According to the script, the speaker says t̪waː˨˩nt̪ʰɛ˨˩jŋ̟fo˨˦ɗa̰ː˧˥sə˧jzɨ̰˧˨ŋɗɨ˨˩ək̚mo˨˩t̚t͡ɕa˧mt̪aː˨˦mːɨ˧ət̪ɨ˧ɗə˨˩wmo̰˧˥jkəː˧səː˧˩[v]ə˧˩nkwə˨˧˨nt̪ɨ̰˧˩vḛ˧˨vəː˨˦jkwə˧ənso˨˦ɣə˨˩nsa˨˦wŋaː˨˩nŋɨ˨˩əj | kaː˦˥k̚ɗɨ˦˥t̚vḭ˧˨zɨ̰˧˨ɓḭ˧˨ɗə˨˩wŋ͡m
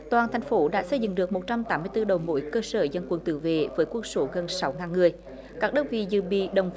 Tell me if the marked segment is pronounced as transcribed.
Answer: no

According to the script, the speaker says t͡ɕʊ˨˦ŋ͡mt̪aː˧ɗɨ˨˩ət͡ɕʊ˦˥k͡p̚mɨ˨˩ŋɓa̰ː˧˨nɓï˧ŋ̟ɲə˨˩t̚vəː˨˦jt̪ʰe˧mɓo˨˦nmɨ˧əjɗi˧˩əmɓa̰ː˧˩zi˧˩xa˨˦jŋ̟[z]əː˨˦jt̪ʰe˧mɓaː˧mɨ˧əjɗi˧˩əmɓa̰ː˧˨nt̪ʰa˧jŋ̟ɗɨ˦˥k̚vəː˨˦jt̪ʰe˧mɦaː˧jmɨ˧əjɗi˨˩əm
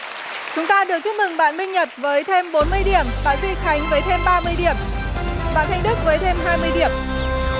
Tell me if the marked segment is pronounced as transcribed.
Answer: no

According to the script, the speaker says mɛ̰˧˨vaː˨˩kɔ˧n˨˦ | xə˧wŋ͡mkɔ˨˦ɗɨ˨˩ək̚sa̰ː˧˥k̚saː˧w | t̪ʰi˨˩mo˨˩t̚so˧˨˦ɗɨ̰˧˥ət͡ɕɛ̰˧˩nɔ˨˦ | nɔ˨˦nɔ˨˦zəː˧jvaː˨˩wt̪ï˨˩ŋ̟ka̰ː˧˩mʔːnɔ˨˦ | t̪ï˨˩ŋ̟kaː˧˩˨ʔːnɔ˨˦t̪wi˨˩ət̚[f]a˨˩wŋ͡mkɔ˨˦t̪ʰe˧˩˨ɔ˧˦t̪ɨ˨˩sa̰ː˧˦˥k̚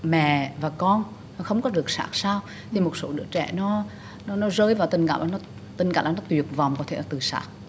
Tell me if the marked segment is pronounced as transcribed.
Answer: no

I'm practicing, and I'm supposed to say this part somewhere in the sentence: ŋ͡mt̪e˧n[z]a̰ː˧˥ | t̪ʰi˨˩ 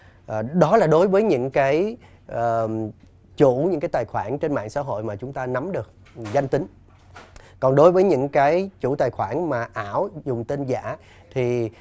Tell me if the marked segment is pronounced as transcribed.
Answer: yes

